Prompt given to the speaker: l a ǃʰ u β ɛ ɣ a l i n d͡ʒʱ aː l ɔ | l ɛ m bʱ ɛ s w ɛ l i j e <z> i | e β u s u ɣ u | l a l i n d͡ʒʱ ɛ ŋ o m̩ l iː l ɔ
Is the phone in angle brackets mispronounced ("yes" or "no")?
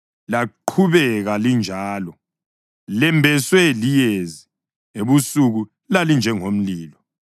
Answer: no